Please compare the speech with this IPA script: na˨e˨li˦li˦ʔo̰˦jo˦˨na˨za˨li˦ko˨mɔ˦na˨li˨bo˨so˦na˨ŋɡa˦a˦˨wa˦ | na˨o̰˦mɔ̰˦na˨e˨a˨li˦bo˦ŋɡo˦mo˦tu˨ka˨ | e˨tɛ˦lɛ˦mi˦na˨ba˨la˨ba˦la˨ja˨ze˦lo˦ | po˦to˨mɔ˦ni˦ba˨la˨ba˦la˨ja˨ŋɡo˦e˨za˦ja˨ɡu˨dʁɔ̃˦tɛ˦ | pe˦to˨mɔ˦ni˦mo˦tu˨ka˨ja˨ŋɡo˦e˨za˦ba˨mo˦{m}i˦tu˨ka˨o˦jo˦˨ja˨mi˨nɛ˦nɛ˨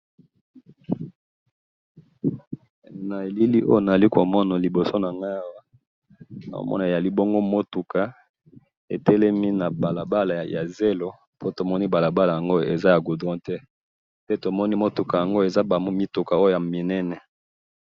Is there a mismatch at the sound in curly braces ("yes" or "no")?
no